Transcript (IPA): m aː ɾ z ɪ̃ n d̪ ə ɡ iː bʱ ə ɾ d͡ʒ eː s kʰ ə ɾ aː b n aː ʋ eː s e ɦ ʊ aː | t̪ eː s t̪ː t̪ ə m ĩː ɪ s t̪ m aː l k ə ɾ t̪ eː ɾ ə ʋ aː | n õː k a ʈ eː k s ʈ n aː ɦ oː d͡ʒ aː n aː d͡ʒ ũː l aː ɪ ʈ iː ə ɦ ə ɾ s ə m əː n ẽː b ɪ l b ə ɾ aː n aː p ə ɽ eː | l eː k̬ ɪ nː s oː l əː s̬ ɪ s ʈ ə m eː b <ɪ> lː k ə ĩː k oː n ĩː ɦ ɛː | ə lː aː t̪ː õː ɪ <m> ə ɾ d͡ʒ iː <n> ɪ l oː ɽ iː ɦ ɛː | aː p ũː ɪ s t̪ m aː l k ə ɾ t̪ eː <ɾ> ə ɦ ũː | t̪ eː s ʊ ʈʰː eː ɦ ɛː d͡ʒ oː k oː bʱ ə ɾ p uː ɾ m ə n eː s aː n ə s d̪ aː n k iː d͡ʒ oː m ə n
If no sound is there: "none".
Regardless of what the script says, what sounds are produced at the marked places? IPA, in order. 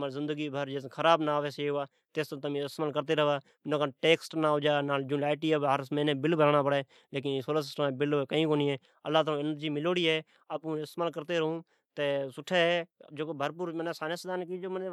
ɪ, n, m, ɾ

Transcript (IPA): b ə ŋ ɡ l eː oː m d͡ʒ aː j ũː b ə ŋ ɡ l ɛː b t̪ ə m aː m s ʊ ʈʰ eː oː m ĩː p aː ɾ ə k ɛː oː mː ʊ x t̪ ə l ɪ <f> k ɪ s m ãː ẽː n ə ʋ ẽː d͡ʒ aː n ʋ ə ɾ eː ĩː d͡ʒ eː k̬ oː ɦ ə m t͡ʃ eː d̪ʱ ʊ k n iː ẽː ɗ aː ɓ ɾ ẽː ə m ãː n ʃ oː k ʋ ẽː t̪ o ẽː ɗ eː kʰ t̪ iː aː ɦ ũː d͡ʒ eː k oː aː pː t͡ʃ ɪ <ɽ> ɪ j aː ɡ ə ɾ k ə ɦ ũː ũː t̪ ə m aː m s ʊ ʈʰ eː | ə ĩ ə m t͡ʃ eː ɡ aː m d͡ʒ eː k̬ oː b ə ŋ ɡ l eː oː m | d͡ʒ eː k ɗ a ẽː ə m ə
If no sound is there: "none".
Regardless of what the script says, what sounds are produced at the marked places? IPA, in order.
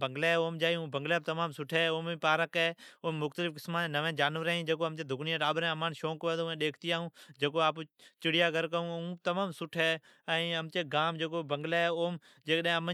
f, ɽ

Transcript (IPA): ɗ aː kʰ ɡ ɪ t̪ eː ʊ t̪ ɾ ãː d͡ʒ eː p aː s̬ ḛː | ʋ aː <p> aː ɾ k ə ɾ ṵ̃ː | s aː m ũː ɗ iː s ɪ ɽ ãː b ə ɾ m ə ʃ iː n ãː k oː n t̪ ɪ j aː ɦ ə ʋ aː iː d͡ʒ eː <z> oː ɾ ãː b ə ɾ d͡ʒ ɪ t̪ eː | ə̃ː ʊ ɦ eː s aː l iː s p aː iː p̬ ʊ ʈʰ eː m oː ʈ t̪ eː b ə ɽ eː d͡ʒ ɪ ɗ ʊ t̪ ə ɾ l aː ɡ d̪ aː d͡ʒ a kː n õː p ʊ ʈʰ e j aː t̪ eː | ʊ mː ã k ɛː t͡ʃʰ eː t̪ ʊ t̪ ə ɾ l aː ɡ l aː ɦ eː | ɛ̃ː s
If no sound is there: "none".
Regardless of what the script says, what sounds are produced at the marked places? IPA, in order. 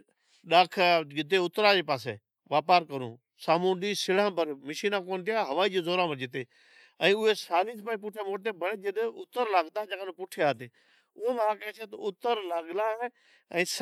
p, z

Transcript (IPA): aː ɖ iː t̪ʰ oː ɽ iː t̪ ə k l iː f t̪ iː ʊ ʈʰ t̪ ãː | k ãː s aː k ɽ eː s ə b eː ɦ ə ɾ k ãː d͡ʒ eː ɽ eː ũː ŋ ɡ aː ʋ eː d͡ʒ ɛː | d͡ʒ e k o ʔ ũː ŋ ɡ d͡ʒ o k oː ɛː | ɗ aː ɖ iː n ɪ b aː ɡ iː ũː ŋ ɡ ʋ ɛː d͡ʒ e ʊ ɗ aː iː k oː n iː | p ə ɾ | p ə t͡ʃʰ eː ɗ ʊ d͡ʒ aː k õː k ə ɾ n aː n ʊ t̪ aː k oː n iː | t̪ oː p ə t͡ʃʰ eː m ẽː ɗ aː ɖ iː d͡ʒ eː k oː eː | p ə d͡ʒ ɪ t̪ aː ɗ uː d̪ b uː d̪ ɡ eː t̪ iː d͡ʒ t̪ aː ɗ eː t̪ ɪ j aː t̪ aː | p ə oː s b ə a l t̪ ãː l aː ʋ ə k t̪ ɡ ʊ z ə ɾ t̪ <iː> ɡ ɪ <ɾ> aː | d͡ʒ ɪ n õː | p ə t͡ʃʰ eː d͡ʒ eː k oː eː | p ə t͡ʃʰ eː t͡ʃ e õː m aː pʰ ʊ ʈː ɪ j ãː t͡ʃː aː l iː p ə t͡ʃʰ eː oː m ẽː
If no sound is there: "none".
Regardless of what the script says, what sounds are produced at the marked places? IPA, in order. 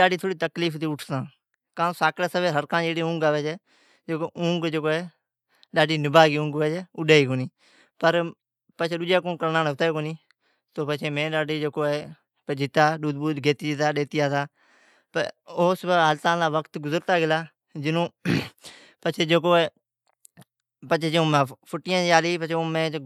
aː, l

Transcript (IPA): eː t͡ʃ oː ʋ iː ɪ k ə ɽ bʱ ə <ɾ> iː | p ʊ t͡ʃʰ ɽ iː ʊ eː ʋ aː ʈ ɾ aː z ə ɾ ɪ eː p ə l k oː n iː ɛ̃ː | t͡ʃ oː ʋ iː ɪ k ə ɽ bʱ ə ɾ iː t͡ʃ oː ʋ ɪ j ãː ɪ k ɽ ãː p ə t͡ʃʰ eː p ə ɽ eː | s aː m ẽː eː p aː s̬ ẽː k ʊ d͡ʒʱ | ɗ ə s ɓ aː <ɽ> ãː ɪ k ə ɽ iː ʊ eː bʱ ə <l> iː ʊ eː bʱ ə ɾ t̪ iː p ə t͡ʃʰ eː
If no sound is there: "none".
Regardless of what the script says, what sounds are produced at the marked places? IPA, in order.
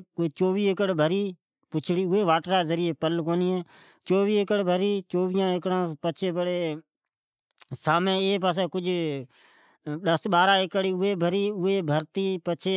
ɾ, ɾ, ɾ

